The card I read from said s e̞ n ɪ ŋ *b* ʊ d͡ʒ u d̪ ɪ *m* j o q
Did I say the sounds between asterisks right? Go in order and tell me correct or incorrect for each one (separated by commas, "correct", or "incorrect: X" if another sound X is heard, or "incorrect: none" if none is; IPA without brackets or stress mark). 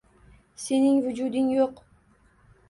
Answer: incorrect: v, incorrect: ŋ